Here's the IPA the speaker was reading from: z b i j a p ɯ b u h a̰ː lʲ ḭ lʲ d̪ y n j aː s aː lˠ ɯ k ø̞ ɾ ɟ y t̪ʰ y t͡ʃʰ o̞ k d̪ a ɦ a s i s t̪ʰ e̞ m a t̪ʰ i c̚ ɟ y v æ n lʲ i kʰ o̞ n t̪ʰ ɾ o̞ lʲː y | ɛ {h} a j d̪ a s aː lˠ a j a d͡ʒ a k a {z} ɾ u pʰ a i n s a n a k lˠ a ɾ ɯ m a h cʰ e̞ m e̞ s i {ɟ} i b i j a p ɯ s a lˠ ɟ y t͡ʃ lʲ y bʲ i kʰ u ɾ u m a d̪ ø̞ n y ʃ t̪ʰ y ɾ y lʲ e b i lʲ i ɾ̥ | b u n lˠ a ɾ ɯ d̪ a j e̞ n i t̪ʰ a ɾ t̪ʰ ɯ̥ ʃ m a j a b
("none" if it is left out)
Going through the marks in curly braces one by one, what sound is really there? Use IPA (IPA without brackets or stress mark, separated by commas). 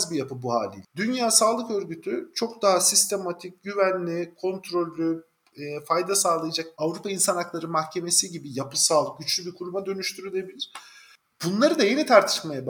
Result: f, v, ɟ